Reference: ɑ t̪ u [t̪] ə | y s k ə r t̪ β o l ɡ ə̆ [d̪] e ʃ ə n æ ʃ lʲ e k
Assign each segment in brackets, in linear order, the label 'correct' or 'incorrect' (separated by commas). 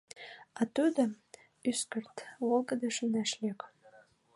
incorrect, correct